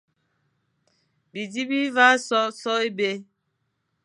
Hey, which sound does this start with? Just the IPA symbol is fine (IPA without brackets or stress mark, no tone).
b